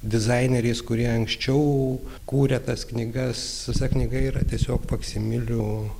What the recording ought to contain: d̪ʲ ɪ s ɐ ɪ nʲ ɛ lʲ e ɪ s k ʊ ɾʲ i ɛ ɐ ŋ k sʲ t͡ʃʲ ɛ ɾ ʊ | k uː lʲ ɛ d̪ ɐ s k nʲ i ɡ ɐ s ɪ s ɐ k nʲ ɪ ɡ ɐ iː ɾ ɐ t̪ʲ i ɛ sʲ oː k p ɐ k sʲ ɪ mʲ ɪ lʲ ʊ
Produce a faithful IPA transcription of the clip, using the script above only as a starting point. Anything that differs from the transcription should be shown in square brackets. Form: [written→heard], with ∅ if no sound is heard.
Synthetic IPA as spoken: d̪ʲ ɪ [s→z] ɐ ɪ nʲ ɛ [lʲ→ɾʲ] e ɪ s k ʊ ɾʲ i ɛ ɐ ŋ k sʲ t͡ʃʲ ɛ [ɾ→∅] ʊ | k uː [lʲ→ɾʲ] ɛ [d̪→t̪] ɐ s k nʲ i ɡ ɐ s ɪ s ɐ k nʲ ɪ ɡ ɐ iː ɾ ɐ t̪ʲ i ɛ sʲ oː k p ɐ k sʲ ɪ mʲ ɪ lʲ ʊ